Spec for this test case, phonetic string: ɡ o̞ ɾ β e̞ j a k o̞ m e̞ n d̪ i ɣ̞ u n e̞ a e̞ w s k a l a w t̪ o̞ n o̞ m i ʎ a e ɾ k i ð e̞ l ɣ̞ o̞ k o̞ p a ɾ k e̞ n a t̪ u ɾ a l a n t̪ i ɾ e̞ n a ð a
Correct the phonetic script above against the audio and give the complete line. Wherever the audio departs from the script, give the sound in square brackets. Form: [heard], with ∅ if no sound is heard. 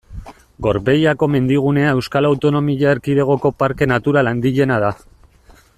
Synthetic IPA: ɡ o̞ ɾ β e̞ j a k o̞ m e̞ n d̪ i ɣ̞ u n e̞ a e̞ w s k a l a w t̪ o̞ n o̞ m i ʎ a e ɾ k i ð e̞ [∅] ɣ̞ o̞ k o̞ p a ɾ k e̞ n a t̪ u ɾ a l a n [d̪] i [ʎ] e̞ n a ð a

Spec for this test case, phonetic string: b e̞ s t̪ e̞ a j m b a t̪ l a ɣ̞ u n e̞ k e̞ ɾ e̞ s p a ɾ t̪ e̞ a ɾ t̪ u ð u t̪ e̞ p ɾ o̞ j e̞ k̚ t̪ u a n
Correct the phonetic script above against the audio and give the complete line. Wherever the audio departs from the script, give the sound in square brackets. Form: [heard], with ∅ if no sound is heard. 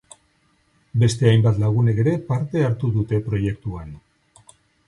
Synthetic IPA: b e̞ s t̪ e̞ a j m b a t̪ l a ɣ̞ u n e̞ k e̞ ɾ e̞ [∅] p a ɾ t̪ e̞ a ɾ t̪ u ð u t̪ e̞ p ɾ o̞ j e̞ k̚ t̪ u a n

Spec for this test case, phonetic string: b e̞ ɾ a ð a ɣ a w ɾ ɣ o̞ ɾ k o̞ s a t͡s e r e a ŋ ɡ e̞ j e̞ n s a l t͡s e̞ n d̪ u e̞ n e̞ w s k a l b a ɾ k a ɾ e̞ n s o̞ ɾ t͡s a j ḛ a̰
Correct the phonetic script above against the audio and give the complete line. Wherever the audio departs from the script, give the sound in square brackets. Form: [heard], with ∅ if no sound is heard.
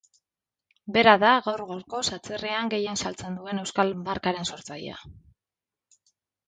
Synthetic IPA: b e̞ ɾ a ð a ɣ a w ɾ ɣ o̞ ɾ k o̞ s a t͡s e r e a ŋ ɡ e̞ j e̞ n s a l t͡s e̞ n d̪ u e̞ n e̞ w s k a l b a ɾ k a ɾ e̞ n s o̞ ɾ t͡s a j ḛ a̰

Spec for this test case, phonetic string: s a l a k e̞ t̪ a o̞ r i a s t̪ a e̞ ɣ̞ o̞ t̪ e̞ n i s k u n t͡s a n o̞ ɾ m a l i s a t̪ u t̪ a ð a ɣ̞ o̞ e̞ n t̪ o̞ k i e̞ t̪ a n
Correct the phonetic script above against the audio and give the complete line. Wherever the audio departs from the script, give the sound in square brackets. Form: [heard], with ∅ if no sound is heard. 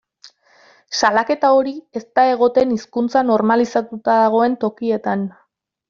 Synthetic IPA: s a l a k e̞ t̪ a o̞ [ɾ] i [e] s t̪ a e̞ ɣ̞ o̞ t̪ e̞ n i s k u n t͡s a n o̞ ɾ m a l i s a t̪ u t̪ a ð a ɣ̞ o̞ e̞ n t̪ o̞ k i e̞ t̪ a n

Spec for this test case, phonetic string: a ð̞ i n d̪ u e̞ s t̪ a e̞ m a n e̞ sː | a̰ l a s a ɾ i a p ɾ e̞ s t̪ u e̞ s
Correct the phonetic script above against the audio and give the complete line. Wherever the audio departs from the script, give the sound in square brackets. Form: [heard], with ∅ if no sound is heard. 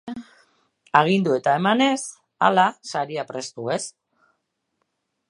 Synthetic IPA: a [ɣ̞] i n d̪ u e̞ [∅] t̪ a e̞ m a n e̞ [s] | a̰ l a s a ɾ i a p ɾ e̞ s t̪ u e̞ s

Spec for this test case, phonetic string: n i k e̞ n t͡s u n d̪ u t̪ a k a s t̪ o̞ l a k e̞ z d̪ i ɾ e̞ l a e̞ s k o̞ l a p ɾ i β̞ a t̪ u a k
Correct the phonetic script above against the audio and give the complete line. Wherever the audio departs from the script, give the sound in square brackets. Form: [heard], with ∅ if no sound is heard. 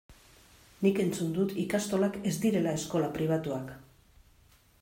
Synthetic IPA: n i k e̞ n t͡s u n d̪ u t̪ [i] k a s t̪ o̞ l a k e̞ z d̪ i ɾ e̞ l a e̞ s k o̞ l a p ɾ i β̞ a t̪ u a k

